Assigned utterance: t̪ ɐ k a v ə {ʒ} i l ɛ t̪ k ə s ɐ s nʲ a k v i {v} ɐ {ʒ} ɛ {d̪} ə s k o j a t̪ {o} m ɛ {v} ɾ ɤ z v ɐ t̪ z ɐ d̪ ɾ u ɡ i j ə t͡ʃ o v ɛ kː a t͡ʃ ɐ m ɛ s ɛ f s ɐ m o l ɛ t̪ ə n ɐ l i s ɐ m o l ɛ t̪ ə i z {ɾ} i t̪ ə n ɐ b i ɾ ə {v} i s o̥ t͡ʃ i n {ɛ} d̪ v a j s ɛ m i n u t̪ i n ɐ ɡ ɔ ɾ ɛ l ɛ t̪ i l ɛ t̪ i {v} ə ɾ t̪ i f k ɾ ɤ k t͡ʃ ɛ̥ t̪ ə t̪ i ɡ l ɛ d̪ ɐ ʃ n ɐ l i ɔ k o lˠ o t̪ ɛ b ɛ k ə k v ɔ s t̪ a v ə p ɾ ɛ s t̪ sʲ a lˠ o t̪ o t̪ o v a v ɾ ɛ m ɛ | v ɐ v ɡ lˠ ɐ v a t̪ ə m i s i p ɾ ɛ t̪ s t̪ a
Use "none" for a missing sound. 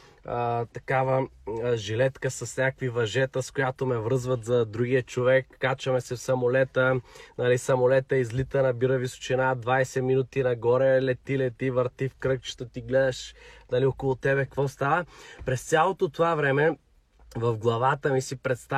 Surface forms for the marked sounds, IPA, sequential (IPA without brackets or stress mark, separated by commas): ʒ, v, ʒ, t̪, o, v, l, v, a, v